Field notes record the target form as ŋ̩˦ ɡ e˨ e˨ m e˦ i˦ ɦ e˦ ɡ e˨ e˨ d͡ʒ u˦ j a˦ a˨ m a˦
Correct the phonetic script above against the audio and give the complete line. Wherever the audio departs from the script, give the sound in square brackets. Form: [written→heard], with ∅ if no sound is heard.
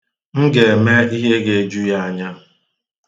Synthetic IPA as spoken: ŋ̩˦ ɡ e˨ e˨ m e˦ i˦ ɦ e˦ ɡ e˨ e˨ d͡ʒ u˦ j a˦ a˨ [m→ɲ] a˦